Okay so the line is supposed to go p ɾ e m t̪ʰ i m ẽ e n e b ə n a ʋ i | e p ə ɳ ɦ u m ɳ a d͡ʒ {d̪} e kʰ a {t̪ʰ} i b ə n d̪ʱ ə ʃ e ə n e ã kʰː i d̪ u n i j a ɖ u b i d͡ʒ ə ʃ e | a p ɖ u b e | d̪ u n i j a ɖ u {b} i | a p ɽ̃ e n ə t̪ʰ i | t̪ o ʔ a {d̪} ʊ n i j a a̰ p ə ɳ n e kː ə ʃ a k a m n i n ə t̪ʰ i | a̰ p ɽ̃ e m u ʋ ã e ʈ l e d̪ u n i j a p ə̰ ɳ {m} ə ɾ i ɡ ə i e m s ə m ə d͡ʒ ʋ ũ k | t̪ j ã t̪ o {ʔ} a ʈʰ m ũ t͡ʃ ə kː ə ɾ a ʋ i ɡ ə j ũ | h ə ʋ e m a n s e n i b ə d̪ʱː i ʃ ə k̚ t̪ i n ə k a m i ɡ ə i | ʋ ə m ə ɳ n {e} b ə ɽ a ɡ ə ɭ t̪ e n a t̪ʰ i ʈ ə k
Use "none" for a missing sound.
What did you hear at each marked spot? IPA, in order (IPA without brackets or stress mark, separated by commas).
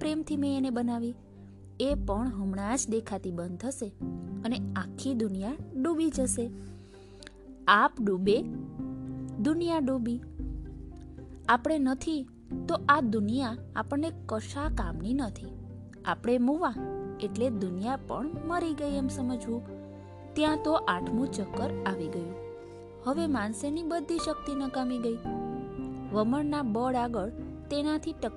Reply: d̪, t̪, b, d̪, m, ʔ, a